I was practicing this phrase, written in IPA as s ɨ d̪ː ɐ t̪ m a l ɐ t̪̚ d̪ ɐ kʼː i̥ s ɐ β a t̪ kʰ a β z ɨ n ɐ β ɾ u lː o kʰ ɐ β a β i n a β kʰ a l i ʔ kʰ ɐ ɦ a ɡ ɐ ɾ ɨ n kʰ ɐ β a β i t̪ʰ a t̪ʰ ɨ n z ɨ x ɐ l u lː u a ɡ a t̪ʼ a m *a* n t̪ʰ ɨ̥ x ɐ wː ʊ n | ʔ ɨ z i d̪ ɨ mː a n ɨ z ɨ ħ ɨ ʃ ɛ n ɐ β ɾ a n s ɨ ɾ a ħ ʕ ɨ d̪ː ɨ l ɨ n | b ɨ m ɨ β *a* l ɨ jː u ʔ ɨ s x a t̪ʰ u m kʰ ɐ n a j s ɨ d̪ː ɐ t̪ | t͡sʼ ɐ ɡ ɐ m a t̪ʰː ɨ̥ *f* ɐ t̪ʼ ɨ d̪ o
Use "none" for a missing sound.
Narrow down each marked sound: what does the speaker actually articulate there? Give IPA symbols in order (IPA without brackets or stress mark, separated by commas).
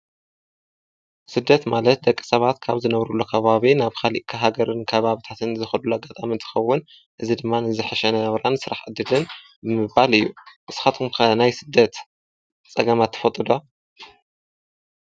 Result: i, a, f